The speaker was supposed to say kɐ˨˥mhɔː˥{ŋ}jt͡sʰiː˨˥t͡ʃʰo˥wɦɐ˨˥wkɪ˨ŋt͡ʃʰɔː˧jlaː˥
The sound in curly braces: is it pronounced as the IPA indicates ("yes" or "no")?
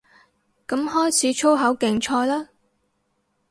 no